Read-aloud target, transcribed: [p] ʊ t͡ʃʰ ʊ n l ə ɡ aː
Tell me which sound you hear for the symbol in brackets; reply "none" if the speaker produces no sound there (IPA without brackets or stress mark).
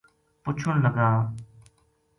p